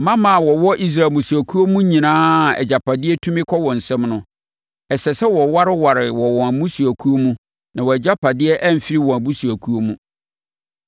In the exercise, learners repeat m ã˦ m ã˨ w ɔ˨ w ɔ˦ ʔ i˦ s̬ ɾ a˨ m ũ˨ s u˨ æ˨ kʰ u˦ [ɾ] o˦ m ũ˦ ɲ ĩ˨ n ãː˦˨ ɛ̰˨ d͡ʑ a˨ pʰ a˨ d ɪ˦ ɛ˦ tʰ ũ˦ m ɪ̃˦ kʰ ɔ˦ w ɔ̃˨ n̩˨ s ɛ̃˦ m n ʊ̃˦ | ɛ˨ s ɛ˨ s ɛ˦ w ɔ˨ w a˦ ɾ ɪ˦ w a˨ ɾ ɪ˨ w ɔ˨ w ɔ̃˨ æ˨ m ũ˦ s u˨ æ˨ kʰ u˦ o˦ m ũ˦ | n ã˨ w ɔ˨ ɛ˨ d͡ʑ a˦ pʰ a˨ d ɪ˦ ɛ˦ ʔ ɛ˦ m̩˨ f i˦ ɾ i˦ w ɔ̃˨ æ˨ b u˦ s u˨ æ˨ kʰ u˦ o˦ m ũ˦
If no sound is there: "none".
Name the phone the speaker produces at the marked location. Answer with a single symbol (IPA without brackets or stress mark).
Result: none